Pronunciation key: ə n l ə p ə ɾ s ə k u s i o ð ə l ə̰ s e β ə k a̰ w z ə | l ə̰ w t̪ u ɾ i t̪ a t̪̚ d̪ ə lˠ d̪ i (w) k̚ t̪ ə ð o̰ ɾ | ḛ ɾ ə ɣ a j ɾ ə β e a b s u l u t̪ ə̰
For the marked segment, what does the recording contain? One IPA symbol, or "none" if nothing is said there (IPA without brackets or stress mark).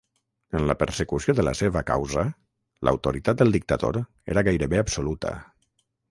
none